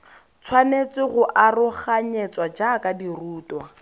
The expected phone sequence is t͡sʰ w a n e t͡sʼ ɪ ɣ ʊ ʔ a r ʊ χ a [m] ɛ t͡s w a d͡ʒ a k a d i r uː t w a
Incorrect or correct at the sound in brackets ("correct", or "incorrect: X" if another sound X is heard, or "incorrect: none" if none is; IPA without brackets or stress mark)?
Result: incorrect: ɲ